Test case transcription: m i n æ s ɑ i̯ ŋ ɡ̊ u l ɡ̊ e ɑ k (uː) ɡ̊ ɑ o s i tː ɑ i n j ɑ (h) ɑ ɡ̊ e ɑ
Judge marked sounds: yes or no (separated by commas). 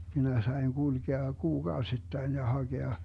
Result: yes, yes